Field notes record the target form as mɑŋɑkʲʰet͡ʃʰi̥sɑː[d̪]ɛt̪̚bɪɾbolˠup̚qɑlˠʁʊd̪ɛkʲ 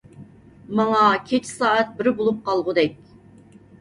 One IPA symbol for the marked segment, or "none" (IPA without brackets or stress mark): none